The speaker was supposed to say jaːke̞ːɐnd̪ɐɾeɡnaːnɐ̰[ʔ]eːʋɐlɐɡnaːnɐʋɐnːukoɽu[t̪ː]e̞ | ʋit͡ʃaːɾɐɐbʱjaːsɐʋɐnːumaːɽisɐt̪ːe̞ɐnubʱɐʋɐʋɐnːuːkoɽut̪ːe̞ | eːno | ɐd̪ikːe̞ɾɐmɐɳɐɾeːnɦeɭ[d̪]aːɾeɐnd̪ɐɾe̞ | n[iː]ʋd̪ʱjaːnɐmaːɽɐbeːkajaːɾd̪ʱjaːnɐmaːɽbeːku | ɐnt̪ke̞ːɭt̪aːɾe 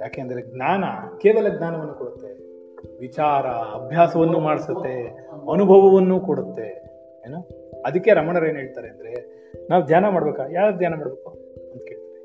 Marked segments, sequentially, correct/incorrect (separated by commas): incorrect, correct, incorrect, incorrect